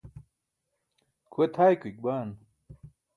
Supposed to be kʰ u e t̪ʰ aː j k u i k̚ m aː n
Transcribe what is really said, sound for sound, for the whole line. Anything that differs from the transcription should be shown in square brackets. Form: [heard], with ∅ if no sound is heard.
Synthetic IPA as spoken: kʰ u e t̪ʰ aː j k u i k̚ [b] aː n